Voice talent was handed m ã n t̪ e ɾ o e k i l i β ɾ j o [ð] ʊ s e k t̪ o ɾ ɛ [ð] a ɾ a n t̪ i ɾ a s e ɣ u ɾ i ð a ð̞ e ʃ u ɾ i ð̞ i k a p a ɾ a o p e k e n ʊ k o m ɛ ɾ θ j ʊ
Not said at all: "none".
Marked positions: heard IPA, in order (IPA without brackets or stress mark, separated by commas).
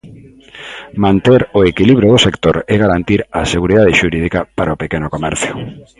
ð, ɣ